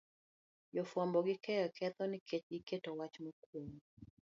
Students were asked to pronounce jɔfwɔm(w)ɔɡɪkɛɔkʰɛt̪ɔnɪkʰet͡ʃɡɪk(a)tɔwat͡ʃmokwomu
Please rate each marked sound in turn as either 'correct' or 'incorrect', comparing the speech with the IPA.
incorrect: b, incorrect: e

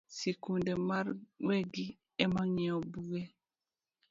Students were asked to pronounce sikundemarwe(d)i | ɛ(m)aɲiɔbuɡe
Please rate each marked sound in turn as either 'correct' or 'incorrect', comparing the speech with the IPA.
incorrect: ɡ, correct

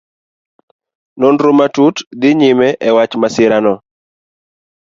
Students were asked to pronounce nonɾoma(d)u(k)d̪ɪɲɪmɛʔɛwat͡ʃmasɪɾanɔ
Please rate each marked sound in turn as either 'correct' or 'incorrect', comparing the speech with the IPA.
incorrect: t, incorrect: t

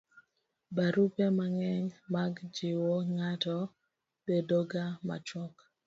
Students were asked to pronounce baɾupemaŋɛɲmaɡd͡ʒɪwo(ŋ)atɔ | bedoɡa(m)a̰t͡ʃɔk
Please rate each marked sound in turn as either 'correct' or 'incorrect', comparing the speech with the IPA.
correct, correct

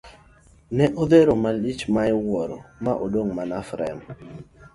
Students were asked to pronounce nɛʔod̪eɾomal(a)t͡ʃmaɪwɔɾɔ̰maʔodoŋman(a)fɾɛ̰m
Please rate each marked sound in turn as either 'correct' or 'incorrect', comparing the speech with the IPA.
incorrect: i, correct

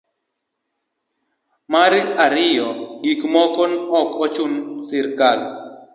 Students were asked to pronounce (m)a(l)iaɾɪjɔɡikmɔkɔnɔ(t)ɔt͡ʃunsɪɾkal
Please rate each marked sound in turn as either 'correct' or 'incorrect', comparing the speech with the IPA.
correct, incorrect: ɾ, incorrect: k

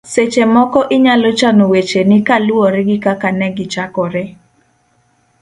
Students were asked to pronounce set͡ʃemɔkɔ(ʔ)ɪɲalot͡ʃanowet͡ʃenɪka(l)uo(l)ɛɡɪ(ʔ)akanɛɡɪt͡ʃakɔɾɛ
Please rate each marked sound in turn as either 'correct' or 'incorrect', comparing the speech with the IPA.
correct, correct, incorrect: ɾ, incorrect: k

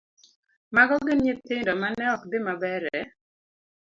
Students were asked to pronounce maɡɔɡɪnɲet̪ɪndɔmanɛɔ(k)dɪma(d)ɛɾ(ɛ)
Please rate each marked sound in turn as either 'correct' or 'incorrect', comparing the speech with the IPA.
correct, incorrect: b, correct

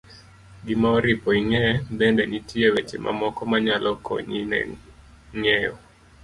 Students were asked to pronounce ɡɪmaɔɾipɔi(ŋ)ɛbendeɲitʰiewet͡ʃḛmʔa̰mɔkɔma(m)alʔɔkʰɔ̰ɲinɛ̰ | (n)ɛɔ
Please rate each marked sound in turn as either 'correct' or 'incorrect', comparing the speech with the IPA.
correct, incorrect: ɲ, incorrect: ŋ

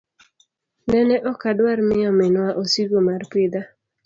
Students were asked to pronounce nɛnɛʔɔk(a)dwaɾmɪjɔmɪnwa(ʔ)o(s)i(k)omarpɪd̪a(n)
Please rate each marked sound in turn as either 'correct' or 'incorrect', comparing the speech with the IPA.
correct, correct, correct, incorrect: ɡ, incorrect: none

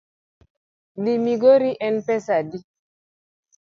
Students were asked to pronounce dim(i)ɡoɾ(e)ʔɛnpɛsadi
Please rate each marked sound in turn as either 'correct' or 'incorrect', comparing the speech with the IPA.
correct, incorrect: i

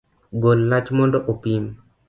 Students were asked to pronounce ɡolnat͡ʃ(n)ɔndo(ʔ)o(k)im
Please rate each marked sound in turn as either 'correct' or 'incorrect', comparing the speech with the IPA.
incorrect: m, correct, incorrect: p

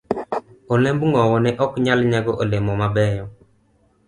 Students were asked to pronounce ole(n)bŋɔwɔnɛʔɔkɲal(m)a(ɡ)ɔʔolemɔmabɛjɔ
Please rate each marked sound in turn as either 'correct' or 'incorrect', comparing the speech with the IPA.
incorrect: m, incorrect: ɲ, correct

